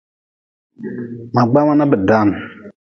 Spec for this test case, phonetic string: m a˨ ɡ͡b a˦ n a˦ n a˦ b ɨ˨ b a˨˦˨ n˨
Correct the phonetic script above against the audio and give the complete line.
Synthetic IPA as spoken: m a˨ ɡ͡b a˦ m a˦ n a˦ b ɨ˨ d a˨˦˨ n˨